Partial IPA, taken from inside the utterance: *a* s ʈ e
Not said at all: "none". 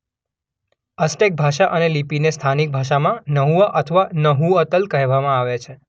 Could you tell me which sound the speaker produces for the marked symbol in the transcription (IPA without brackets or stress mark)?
ə